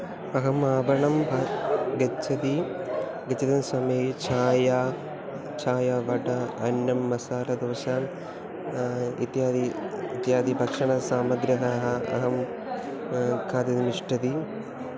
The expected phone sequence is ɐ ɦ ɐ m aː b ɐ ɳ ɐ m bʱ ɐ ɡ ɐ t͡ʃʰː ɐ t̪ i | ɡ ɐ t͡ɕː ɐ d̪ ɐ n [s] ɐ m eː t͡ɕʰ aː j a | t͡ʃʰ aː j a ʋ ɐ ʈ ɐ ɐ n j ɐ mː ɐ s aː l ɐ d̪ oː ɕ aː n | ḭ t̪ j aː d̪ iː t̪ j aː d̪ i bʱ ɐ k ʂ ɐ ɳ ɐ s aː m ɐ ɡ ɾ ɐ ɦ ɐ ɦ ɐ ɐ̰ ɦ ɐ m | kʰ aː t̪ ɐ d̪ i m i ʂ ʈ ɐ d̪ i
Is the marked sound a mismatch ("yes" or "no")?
no